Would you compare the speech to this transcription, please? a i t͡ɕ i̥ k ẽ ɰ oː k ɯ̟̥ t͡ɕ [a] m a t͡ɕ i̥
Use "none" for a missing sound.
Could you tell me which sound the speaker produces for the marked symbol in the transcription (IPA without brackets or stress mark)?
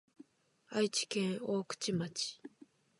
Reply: i